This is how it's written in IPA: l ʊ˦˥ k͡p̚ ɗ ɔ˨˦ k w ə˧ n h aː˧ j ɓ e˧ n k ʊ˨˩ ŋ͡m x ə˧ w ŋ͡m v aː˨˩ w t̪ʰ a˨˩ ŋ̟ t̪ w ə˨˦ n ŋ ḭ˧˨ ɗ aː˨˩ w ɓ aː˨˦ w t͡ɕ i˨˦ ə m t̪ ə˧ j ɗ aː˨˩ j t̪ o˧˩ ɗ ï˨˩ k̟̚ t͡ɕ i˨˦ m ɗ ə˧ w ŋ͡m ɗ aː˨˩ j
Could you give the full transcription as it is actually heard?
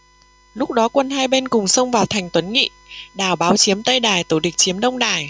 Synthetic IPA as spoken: l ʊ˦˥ k͡p̚ ɗ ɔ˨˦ k w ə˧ n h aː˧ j ɓ e˧ n k ʊ˨˩ ŋ͡m s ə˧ w ŋ͡m v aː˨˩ w t̪ʰ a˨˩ ŋ̟ t̪ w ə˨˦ n ŋ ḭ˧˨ ɗ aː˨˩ w ɓ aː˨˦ w t͡ɕ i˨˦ ə m t̪ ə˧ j ɗ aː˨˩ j t̪ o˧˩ ɗ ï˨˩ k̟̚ t͡ɕ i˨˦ m ɗ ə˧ w ŋ͡m ɗ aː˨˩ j